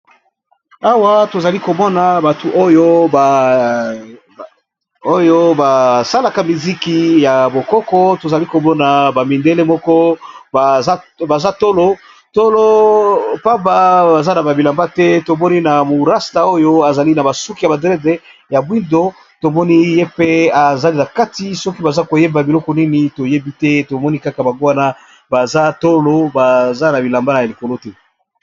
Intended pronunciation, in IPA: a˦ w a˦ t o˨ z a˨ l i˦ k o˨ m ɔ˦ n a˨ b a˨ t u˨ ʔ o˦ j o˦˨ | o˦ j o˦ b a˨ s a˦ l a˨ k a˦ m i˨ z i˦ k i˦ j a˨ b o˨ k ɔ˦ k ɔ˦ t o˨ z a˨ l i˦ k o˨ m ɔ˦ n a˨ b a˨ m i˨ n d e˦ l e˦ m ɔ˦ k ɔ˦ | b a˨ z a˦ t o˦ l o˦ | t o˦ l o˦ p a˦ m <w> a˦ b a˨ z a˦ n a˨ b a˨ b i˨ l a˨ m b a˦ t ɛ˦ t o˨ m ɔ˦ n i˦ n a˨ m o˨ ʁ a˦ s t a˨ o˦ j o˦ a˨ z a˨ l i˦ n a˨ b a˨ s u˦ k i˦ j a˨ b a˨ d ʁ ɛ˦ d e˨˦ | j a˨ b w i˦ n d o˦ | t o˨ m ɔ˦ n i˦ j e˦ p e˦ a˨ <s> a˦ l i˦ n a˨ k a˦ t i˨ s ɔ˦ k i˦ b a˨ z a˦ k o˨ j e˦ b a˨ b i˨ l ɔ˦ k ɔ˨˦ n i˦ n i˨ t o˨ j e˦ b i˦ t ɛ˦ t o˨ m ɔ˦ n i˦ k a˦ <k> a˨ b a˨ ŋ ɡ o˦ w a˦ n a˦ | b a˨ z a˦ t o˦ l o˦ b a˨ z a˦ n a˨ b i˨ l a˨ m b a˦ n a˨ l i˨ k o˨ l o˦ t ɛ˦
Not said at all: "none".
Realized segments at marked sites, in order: b, z, k

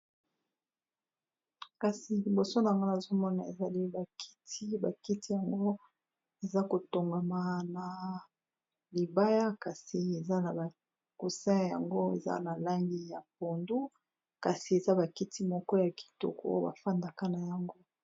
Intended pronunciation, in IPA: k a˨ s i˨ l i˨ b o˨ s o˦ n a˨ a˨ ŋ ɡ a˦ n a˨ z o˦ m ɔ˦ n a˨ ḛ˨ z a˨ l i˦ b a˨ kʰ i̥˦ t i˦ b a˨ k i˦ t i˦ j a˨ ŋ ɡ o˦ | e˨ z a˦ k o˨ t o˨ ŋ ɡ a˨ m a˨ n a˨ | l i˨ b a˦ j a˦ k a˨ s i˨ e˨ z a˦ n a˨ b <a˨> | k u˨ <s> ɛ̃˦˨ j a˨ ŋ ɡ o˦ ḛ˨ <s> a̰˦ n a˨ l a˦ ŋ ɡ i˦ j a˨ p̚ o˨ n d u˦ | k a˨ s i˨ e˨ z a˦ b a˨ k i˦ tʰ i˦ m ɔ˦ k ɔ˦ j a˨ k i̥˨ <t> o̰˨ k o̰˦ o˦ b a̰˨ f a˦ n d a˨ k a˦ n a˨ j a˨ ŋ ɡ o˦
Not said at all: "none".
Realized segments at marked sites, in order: a˨, s, z, t

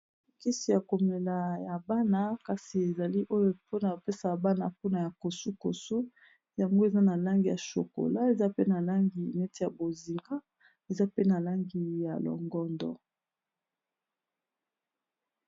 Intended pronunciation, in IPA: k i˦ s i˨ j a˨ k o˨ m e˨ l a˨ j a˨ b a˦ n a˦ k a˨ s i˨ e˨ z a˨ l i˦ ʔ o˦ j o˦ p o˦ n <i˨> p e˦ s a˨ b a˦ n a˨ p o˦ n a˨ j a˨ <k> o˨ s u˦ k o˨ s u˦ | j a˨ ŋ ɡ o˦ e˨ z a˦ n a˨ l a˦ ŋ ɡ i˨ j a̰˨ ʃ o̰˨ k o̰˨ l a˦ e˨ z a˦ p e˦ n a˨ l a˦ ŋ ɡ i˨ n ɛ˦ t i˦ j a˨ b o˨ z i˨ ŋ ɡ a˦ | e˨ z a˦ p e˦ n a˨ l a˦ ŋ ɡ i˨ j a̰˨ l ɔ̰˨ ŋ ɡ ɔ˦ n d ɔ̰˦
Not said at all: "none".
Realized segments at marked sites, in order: a˨, k

